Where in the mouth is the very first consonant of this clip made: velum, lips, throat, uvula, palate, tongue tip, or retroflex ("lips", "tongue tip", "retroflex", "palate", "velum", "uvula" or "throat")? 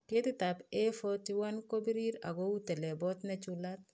velum